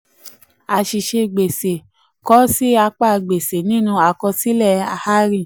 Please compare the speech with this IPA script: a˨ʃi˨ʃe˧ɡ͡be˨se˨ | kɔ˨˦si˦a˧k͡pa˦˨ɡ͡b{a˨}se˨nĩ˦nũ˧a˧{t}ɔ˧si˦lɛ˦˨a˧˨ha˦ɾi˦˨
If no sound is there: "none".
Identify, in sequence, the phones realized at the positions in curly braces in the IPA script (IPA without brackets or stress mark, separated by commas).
e˨, k